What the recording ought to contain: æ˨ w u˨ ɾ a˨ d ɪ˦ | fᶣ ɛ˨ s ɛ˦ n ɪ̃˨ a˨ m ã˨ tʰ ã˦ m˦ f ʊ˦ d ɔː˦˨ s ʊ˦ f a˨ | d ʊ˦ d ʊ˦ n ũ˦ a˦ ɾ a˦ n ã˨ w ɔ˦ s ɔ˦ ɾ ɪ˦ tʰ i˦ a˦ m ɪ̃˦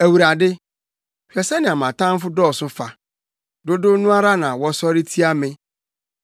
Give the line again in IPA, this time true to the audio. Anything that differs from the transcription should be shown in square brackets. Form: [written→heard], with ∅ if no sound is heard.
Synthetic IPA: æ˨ w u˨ ɾ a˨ d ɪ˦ | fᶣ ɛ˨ s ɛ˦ n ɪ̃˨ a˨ m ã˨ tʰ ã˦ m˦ f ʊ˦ d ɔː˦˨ s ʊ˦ f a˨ | d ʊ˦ d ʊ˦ n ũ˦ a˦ ɾ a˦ n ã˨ w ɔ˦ s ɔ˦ ɾ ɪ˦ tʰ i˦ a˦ m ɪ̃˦